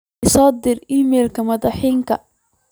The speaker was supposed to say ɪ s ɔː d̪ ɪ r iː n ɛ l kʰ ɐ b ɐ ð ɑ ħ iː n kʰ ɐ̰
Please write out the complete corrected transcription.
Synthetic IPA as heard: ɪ s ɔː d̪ ɪ r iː m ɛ l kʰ ɐ m ɐ ð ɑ ħ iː ŋ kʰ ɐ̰